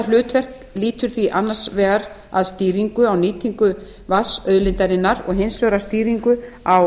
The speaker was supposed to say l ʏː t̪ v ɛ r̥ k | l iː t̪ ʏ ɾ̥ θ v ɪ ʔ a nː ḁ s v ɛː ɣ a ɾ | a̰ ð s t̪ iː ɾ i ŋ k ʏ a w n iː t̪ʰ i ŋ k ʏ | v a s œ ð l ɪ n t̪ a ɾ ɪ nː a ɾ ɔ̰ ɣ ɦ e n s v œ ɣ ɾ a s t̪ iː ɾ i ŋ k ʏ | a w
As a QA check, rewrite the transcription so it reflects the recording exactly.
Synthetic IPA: l ʏː t̪ v ɛ r̥ k | l iː t̪ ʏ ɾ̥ θ v i ʔ a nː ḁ s v ɛː ɣ a ɾ | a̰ ð s t̪ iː ɾ i ŋ k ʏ a w n iː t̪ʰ i ŋ k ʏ | v a s œ ð l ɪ n t̪ a ɾ ɪ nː a ɾ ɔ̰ ɣ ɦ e n s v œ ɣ ɾ a s t̪ iː ɾ i ŋ k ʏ | a w